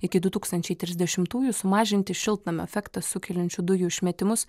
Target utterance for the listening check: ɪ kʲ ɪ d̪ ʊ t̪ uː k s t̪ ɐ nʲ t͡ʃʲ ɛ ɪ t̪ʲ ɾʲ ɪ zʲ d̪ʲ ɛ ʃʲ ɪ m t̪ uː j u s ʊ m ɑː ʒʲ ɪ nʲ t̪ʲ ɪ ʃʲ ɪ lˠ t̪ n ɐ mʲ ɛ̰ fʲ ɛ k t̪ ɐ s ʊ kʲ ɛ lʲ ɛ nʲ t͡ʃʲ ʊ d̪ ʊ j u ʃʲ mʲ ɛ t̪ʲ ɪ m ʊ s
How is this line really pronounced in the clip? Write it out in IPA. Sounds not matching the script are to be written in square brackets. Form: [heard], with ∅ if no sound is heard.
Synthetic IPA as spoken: ɪ kʲ ɪ d̪ ʊ t̪ uː k s t̪ ɐ nʲ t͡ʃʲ ɛ ɪ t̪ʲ ɾʲ ɪ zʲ d̪ʲ ɛ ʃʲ ɪ m t̪ uː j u s ʊ m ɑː ʒʲ ɪ nʲ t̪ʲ ɪ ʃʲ ɪ lˠ t̪ n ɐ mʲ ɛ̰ fʲ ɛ k t̪ ɐ s ʊ kʲ ɛ lʲ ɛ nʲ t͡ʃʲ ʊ d̪ ʊ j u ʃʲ mʲ ɛ t̪ʲ ɪ m ʊ s